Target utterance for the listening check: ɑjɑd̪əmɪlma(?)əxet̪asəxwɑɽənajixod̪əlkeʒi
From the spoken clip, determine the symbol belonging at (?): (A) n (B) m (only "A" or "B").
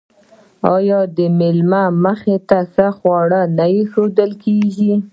B